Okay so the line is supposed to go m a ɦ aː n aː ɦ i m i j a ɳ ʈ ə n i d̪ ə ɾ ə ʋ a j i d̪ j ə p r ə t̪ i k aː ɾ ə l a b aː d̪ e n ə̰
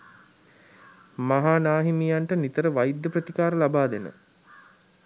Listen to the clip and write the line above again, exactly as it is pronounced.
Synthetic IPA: m a ɦ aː n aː ɦ i m i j a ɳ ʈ ə n i t̪ ə ɾ ə ʋ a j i d̪ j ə p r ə t̪ i k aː ɾ ə l a b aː d̪ e n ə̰